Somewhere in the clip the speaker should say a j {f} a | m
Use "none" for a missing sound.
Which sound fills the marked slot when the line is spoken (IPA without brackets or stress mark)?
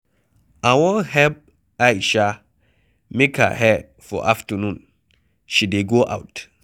ʃ